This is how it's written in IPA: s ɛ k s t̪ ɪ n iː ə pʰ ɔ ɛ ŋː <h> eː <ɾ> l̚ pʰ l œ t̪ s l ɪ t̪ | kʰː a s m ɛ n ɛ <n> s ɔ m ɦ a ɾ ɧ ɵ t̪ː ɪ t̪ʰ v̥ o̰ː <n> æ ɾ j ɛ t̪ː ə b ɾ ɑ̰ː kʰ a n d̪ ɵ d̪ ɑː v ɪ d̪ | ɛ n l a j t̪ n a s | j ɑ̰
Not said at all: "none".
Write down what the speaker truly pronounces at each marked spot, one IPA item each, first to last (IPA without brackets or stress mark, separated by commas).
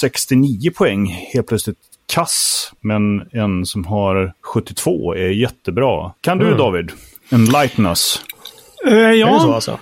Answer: h, none, n, none